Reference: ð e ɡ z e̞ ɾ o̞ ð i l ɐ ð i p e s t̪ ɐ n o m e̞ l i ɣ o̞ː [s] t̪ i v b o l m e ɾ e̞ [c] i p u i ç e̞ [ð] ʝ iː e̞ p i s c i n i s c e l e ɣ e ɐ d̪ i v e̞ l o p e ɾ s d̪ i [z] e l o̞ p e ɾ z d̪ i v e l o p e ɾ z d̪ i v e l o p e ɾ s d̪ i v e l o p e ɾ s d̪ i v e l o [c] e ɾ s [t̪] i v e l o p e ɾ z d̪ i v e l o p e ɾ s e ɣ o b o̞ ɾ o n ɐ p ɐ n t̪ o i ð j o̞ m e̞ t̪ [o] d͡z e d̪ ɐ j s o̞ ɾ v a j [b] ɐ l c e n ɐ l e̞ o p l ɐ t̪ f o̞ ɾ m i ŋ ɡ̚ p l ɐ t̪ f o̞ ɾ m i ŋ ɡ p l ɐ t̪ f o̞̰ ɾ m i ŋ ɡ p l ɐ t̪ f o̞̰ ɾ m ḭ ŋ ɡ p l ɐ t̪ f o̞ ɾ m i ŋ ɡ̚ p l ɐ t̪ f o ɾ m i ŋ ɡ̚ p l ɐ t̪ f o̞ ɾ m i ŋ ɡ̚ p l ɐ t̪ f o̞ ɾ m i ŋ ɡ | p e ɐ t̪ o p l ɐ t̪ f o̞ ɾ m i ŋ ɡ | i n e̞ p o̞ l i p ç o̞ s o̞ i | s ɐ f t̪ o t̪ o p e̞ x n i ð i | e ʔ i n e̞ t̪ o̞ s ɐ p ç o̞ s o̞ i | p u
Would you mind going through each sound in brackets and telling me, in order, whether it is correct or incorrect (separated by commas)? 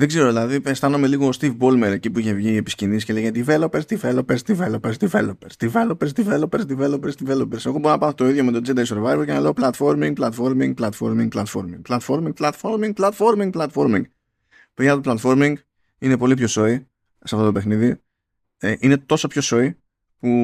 correct, correct, incorrect, incorrect, incorrect, incorrect, correct, incorrect